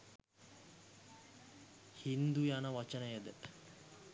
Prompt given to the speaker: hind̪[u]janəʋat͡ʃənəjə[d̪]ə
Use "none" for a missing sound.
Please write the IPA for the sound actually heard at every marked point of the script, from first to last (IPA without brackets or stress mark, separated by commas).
u, d̪